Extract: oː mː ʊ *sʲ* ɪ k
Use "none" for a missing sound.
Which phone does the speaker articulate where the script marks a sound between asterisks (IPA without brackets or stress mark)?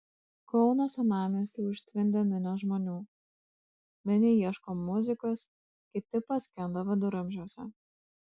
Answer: zʲ